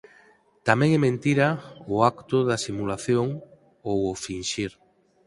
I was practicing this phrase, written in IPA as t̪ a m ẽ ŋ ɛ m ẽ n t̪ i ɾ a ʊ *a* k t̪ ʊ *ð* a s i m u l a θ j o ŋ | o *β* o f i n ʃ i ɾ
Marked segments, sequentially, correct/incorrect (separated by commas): correct, correct, incorrect